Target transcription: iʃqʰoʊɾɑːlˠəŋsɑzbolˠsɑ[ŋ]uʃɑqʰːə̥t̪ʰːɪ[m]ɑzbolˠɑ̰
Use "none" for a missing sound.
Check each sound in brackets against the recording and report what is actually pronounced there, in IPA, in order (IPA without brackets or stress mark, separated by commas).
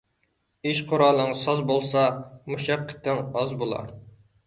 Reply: m, ŋ